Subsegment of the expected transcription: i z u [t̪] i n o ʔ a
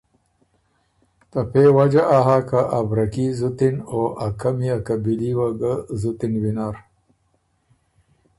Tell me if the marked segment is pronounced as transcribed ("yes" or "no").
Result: yes